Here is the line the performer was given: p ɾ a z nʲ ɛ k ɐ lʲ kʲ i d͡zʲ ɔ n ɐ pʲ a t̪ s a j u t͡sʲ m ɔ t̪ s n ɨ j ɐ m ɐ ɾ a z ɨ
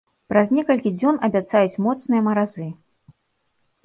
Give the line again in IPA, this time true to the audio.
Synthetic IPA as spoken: p ɾ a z nʲ ɛ k ɐ lʲ kʲ i d͡zʲ ɔ n ɐ bʲ a t̪ s a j u t͡sʲ m ɔ t̪ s n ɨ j ɐ m ɐ ɾ a z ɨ